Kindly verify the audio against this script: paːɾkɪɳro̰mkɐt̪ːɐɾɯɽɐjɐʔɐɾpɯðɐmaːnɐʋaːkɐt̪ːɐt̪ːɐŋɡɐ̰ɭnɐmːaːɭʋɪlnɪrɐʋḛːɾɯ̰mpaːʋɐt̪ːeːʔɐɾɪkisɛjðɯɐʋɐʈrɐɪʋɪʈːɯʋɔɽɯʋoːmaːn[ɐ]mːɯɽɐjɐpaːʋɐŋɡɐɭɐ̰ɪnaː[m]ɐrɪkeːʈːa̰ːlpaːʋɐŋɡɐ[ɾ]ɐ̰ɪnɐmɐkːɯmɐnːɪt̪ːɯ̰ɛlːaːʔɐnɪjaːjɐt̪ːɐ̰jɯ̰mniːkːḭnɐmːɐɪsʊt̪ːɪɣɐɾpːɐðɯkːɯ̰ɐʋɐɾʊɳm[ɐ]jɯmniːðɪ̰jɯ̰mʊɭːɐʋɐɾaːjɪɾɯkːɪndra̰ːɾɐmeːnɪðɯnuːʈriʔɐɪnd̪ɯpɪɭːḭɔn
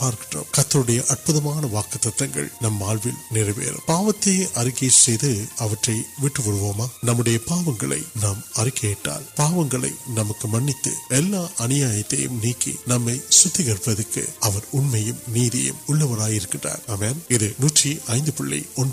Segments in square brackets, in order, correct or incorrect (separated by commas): correct, correct, incorrect, correct